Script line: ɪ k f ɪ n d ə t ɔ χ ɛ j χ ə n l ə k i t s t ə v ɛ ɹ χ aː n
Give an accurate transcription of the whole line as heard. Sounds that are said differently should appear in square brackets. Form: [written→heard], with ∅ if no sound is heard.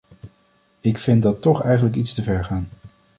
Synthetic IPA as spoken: ɪ k f ɪ n d [ə→ɑ] t ɔ χ ɛ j χ ə n l ə k i t s t ə v ɛ ɹ χ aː n